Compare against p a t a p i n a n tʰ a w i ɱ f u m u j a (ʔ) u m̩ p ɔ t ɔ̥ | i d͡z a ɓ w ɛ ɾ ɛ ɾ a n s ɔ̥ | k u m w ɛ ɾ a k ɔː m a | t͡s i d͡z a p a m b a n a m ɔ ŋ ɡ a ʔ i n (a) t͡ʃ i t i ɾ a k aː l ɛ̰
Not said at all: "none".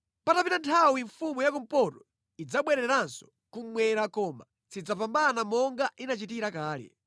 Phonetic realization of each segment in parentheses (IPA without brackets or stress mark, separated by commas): k, a